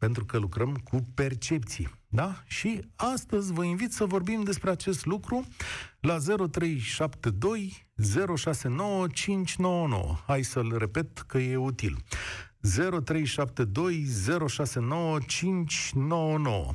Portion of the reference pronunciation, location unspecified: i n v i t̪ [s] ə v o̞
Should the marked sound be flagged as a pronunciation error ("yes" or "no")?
no